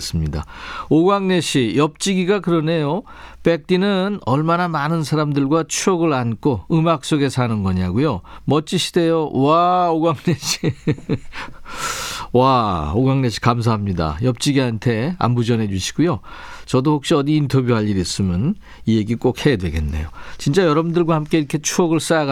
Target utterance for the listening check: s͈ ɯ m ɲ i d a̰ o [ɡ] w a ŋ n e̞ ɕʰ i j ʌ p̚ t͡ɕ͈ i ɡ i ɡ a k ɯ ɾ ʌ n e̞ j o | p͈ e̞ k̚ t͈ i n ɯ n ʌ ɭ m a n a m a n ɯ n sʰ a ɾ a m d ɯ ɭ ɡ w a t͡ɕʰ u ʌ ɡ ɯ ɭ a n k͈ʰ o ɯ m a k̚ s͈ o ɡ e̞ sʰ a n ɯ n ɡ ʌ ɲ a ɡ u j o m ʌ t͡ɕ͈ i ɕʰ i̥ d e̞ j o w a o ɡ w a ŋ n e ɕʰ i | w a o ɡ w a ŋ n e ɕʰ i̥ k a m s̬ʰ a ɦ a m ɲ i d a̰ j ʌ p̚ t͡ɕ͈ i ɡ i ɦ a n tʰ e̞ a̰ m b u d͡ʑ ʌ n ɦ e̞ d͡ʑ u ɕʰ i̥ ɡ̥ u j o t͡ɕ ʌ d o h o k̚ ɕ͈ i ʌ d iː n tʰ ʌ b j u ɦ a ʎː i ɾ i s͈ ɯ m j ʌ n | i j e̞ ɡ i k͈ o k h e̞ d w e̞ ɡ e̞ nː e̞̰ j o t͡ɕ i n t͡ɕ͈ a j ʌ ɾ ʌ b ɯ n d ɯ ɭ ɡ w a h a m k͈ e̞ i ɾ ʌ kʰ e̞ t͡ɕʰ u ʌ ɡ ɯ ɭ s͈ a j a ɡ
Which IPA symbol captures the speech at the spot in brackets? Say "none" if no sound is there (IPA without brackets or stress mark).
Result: ɡ